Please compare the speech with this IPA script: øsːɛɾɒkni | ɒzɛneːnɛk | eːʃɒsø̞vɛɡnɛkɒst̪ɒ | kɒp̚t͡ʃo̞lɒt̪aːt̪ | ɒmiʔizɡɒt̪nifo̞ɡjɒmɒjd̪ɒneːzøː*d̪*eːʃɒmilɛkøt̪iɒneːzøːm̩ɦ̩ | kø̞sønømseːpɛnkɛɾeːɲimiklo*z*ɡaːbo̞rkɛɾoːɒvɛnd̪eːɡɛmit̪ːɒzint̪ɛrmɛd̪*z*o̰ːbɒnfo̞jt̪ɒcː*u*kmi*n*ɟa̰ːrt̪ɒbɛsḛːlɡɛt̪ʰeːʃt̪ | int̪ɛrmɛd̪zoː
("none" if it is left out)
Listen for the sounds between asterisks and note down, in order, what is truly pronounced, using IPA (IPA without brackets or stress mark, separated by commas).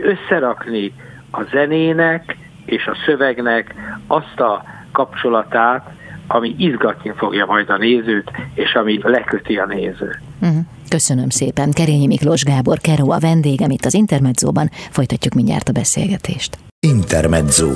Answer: t̪, ʒ, z, u, ɲ